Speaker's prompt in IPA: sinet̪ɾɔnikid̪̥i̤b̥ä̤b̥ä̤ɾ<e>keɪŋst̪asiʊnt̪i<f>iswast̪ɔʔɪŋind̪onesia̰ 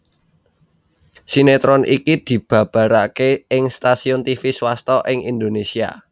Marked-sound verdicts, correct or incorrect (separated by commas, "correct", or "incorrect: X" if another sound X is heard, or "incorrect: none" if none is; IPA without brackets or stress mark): incorrect: a, correct